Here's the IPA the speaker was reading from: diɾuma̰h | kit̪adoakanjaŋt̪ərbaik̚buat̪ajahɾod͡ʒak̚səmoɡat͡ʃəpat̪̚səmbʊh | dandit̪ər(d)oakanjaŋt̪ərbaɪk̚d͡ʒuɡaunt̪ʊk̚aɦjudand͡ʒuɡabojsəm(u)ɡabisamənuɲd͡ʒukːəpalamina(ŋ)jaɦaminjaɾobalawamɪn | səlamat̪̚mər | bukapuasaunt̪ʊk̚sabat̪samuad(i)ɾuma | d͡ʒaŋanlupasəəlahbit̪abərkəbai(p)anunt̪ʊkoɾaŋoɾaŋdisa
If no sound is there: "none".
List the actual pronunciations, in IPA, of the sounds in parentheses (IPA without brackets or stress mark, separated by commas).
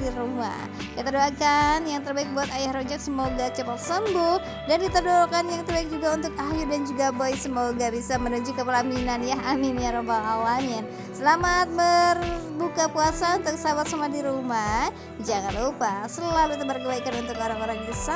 d, o, n, i, k